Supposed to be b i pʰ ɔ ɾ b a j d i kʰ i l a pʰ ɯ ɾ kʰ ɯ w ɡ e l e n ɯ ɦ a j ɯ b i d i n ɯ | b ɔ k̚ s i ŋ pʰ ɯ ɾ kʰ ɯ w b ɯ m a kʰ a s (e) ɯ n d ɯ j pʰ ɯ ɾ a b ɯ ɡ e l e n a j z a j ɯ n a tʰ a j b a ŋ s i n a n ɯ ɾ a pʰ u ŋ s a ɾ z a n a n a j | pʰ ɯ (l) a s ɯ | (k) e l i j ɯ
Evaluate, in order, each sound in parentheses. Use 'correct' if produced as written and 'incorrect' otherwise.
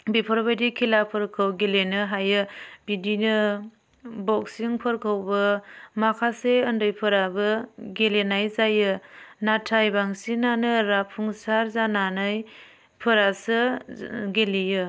correct, incorrect: ɾ, incorrect: ɡ

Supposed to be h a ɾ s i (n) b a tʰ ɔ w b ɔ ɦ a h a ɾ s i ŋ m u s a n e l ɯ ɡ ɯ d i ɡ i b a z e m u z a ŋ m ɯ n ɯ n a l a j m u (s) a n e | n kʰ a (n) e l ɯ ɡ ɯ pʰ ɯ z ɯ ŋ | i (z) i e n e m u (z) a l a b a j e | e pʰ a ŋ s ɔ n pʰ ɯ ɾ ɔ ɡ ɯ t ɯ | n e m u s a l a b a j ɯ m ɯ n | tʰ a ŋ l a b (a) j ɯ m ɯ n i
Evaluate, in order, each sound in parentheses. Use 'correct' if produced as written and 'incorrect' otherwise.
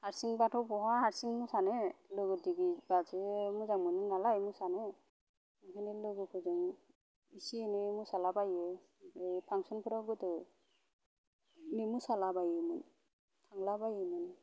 incorrect: ŋ, correct, correct, incorrect: s, incorrect: s, correct

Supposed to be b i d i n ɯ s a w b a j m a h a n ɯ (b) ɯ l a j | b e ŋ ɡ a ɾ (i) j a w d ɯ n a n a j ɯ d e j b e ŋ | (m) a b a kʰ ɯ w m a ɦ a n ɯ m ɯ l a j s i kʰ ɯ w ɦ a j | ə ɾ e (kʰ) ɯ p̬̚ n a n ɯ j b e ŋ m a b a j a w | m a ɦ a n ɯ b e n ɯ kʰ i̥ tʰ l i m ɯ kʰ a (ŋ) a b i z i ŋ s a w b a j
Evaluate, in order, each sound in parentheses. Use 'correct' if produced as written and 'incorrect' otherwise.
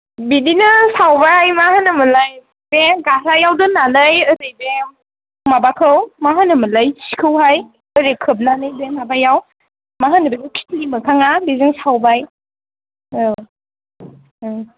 incorrect: m, incorrect: a, correct, correct, correct

